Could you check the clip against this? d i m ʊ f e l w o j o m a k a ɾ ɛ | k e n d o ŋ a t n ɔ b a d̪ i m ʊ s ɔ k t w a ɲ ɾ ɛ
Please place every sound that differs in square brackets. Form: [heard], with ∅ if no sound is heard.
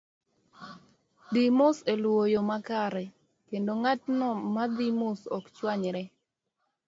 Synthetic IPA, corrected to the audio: d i m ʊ [s] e l w o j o m a k a ɾ ɛ | k e n d o ŋ a t n ɔ [m] a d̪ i m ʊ s ɔ k [t͡ʃ] w a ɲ ɾ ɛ